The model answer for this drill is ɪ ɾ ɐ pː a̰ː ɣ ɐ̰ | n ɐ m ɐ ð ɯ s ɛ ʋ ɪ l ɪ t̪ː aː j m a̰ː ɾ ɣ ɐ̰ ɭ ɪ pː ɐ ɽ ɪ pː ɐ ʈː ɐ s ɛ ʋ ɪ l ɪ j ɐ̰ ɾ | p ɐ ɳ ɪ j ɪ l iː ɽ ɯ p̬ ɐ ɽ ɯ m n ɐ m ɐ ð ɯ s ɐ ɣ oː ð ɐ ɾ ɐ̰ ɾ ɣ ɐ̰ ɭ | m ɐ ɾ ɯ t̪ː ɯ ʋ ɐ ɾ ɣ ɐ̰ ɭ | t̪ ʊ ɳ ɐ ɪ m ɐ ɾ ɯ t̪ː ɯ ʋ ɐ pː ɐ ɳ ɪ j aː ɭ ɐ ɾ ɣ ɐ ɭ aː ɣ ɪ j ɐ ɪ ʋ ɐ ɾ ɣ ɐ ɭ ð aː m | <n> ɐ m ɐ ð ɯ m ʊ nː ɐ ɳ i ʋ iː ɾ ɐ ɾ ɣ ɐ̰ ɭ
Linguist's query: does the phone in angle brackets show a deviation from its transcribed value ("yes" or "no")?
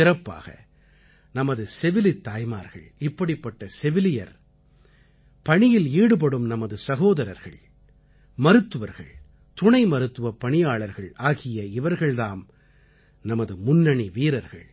no